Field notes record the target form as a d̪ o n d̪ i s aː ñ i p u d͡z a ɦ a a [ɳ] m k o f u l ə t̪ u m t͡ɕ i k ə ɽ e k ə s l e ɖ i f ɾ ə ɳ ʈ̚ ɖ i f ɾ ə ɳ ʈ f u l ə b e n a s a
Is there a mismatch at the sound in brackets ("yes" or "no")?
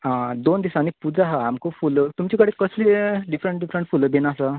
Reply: yes